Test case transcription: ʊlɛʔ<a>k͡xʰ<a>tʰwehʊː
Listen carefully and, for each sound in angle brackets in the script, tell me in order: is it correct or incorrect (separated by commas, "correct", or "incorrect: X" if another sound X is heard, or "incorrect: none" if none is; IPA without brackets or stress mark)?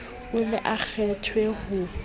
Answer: correct, incorrect: ɛ